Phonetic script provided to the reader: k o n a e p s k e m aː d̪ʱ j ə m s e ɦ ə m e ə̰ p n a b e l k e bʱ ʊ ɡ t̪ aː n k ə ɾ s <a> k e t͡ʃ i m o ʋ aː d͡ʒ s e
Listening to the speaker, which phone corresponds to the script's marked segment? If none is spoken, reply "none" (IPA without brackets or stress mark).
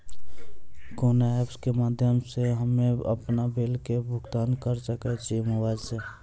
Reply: ə